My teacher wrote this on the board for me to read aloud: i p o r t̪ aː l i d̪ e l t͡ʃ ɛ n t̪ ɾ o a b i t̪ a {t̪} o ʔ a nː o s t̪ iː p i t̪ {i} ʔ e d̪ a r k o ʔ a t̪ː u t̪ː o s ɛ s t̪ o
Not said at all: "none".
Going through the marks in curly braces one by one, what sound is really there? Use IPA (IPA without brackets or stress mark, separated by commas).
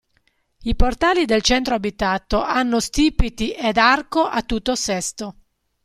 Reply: t̪, i